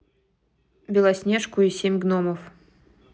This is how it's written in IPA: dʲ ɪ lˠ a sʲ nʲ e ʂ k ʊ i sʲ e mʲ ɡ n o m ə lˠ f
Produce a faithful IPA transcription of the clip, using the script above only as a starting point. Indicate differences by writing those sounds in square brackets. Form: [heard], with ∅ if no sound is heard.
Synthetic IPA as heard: [bʲ] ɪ lˠ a sʲ nʲ e ʂ k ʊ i sʲ e mʲ ɡ n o m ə [∅] f

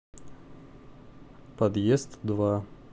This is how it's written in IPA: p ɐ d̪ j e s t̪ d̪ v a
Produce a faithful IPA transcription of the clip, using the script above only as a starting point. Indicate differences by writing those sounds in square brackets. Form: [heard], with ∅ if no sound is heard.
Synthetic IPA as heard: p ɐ d̪ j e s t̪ d̪ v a

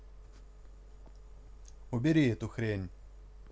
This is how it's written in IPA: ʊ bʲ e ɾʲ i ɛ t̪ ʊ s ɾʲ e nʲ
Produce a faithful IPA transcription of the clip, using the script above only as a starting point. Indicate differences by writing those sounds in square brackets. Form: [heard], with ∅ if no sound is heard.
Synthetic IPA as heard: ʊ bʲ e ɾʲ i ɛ t̪ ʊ [x] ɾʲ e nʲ

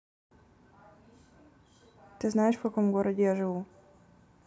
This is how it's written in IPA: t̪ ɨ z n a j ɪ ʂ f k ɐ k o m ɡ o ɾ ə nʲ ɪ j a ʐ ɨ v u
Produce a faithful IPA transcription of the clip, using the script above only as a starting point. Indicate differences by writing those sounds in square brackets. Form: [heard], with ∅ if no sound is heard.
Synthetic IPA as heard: t̪ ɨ z n a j ɪ ʂ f k ɐ k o m ɡ o ɾ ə [dʲ] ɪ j a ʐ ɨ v u

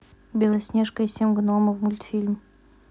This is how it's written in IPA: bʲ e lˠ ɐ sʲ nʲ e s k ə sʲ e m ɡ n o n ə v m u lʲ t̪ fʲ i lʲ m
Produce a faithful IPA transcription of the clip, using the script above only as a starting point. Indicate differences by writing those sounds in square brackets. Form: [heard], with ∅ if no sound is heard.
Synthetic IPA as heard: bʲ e lˠ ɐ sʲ nʲ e [ʂ] k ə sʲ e m ɡ n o [m] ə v m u lʲ t̪ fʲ i lʲ m

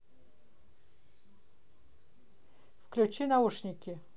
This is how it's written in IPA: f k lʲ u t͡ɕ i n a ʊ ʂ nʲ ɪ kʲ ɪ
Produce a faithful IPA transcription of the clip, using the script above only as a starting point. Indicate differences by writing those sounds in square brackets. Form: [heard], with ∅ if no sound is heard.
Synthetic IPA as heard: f k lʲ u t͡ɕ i n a [u] ʂ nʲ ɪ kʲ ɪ

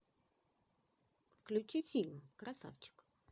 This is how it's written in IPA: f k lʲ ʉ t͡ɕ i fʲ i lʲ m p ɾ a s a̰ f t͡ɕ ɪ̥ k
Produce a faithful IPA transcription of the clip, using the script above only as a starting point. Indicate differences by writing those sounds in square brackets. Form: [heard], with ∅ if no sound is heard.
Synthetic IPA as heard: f k lʲ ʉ t͡ɕ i fʲ i lʲ m [k] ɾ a s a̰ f t͡ɕ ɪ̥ k

